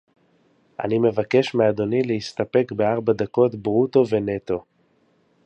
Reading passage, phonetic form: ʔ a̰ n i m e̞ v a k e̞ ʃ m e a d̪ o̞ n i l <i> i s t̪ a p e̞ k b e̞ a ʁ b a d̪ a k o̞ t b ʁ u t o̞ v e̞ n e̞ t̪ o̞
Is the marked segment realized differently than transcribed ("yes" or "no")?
yes